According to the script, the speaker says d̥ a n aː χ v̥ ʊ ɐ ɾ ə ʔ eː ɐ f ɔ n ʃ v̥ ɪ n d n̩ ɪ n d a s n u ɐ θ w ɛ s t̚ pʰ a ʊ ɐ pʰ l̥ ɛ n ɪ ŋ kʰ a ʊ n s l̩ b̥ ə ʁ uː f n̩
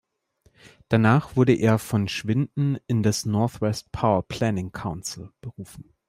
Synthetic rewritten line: d̥ a n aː χ v̥ ʊ ɐ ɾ ə ʔ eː ɐ f ɔ n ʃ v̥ ɪ n d n̩ ɪ n d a s n ɔ ɐ θ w ɛ s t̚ pʰ a ʊ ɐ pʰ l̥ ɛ n ɪ ŋ kʰ a ʊ n s l̩ b̥ ə ʁ uː f n̩